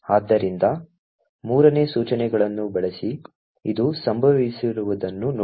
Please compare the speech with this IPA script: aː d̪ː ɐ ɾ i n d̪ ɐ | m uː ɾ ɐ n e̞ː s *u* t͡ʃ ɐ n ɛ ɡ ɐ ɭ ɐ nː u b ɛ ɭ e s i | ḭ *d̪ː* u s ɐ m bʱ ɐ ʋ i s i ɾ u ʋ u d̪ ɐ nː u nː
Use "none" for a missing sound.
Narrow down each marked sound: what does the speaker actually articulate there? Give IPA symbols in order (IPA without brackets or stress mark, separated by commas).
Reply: uː, d̪